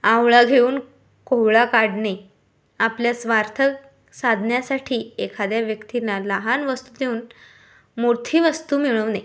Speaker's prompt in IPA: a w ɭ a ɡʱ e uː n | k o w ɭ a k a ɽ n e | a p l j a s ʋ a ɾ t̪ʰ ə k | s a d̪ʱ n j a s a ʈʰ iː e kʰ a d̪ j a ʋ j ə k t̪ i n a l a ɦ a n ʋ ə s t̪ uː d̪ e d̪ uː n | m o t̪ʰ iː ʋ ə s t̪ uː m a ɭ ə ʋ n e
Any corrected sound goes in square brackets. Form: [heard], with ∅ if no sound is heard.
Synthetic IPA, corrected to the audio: a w ɭ a ɡʱ e uː n | k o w ɭ a k a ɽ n e | a p l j a s ʋ a ɾ t̪ʰ ə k | s a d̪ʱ n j a s a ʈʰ iː e kʰ a d̪ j a ʋ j ə k t̪ i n a l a ɦ a n ʋ ə s t̪ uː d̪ e [∅] uː n | m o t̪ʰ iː ʋ ə s t̪ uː m [i] ɭ ə ʋ n e